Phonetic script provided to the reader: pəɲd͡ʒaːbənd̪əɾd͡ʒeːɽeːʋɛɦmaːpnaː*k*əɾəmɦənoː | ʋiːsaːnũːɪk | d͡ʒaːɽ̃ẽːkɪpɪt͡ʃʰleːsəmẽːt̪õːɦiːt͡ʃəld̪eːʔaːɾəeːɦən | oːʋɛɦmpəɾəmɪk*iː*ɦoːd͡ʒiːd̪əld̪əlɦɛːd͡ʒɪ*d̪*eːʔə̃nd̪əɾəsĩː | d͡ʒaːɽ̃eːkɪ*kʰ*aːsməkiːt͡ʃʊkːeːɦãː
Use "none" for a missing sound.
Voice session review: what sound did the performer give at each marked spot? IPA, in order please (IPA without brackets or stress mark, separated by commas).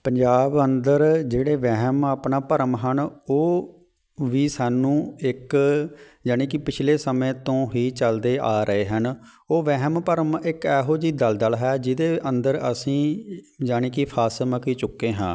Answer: p, ɛː, d̪, pʰ